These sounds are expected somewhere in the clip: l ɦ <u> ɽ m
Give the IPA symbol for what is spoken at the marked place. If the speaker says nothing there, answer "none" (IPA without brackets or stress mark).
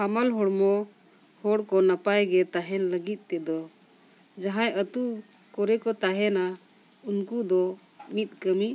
ɔ